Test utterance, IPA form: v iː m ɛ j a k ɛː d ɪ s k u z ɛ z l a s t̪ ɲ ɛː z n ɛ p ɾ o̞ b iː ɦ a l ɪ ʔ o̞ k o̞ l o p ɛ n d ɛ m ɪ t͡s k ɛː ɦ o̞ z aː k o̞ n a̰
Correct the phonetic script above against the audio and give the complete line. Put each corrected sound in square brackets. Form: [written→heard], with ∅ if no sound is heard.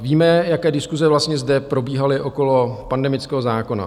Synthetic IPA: v iː m ɛ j a k ɛː d ɪ s k u z ɛ [z→v] l a s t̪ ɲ [ɛː→ɛ] z [n→d] ɛ p ɾ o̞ b iː ɦ a l ɪ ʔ o̞ k o̞ l o p [ɛ→a] n d ɛ m ɪ t͡s k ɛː ɦ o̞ z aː k o̞ n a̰